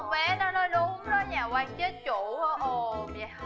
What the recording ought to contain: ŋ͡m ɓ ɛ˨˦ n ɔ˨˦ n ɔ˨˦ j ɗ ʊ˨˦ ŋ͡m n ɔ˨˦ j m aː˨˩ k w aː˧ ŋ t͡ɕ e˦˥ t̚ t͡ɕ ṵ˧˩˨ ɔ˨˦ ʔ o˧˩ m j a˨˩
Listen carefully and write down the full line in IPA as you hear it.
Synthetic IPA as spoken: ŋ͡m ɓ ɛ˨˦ n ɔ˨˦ n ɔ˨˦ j ɗ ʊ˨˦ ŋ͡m n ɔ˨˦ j ɲ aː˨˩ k w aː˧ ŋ t͡ɕ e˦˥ t̚ t͡ɕ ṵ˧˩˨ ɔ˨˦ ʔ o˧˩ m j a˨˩